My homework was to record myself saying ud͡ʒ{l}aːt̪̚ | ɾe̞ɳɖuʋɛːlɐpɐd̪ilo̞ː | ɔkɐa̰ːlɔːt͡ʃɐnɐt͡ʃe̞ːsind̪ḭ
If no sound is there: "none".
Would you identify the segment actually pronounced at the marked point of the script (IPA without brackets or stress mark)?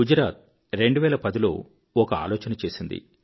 ɾ